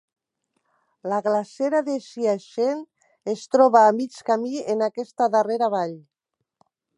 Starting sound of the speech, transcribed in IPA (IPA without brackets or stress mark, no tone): l